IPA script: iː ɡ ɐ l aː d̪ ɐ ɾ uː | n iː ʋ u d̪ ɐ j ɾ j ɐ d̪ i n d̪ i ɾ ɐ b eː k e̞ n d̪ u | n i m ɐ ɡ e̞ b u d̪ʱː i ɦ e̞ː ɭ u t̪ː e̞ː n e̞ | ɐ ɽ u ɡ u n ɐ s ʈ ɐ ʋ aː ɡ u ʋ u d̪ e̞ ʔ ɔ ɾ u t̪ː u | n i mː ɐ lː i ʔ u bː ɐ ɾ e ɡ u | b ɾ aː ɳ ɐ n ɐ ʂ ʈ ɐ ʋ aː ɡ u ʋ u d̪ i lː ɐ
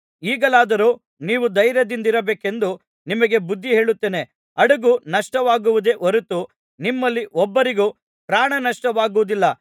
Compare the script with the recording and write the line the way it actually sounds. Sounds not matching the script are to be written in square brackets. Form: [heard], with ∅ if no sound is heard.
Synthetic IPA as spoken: iː ɡ ɐ l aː d̪ ɐ ɾ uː | n iː ʋ u d̪ ɐ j ɾ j ɐ d̪ i n d̪ i ɾ ɐ b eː k e̞ n d̪ u | n i m ɐ ɡ e̞ b u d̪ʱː i ɦ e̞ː ɭ u t̪ː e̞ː n e̞ | ɐ ɽ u ɡ u n ɐ [ʂ] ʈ ɐ ʋ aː ɡ u ʋ u d̪ e̞ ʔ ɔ ɾ u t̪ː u | n i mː ɐ lː i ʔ [ɔ] bː ɐ ɾ [i] ɡ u | [p] ɾ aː ɳ ɐ n ɐ ʂ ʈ ɐ ʋ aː ɡ u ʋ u d̪ i lː ɐ